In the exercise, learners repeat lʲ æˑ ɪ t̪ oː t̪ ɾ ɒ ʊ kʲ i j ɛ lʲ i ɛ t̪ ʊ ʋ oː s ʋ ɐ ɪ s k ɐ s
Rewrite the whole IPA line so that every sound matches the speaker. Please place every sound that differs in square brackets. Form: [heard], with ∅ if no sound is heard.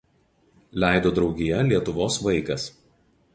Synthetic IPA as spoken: lʲ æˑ ɪ [d̪] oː [d̪] ɾ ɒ ʊ [ɡʲ] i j ɛ lʲ i ɛ t̪ ʊ ʋ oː s ʋ ɐ ɪ [∅] k ɐ s